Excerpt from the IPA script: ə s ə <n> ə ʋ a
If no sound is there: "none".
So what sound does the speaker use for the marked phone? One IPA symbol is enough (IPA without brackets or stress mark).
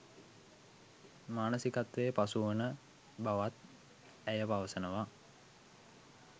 n